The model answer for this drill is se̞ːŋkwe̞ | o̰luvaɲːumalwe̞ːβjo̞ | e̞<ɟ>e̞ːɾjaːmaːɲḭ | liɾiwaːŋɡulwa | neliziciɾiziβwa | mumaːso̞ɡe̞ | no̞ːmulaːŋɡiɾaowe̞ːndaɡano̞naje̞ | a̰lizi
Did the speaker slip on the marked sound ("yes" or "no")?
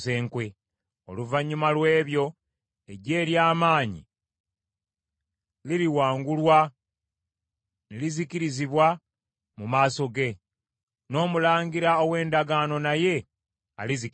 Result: no